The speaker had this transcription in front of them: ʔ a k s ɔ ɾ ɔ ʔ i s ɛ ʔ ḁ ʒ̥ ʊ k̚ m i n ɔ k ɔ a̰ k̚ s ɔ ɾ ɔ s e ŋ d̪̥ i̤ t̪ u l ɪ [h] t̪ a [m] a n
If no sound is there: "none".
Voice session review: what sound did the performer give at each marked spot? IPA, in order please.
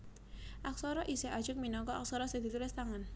s, ŋ

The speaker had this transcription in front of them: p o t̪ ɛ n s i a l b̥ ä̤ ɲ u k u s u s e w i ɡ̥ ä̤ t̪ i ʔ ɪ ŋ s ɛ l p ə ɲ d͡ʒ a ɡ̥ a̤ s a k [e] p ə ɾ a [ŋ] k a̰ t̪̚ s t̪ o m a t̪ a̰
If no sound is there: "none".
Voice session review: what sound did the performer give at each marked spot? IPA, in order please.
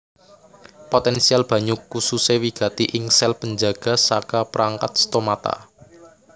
a, ŋ

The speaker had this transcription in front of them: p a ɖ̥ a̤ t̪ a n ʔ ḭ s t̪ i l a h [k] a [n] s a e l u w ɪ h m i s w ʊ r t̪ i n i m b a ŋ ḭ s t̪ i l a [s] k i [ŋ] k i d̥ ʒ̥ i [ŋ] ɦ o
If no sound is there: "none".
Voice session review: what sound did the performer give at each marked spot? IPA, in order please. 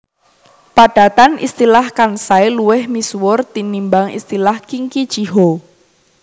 k, n, h, ŋ, none

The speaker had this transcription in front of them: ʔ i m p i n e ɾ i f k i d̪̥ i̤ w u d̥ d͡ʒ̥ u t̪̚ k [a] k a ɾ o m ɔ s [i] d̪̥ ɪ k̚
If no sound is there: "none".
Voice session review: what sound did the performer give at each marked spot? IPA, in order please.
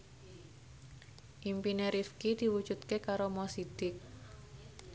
e, i

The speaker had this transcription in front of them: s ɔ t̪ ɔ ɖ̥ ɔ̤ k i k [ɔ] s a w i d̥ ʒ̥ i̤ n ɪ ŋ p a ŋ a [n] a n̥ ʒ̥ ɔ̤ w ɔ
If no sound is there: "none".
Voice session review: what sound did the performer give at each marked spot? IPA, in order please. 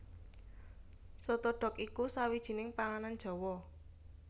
u, n

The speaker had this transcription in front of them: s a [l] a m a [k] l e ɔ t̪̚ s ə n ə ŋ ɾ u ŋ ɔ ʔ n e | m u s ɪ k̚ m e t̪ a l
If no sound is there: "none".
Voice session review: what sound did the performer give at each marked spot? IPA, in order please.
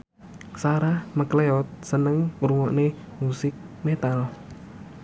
ɾ, k

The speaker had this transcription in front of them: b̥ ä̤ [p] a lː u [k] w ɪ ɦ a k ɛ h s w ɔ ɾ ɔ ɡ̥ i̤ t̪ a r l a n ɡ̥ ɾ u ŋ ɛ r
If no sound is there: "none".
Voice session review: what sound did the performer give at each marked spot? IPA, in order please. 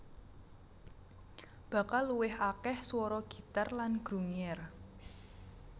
k, none

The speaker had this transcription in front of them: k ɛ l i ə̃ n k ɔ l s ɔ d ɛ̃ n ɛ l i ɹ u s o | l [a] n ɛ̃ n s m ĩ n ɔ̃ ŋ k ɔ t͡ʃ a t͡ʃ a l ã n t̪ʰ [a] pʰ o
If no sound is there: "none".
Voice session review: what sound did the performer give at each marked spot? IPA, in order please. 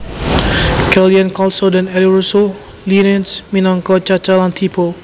i, i

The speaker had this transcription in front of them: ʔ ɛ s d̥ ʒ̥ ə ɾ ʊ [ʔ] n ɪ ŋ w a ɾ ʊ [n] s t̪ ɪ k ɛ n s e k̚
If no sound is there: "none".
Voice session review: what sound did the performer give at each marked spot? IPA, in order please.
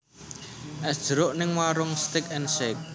ʔ, ŋ

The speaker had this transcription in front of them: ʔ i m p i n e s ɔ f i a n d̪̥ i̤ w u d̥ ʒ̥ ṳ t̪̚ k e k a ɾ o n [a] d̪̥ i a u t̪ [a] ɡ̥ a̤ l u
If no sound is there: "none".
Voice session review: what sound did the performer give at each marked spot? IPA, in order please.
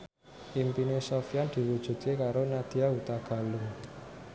a, a

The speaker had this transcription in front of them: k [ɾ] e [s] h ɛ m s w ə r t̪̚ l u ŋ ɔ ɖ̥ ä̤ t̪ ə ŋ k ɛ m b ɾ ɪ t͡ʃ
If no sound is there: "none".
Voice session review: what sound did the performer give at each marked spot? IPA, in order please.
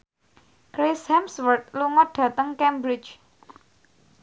ɾ, s

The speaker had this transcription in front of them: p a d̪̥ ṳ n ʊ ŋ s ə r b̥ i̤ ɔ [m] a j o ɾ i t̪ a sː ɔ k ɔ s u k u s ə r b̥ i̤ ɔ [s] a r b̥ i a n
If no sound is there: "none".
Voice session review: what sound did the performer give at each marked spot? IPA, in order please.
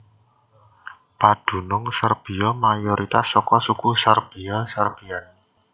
m, s

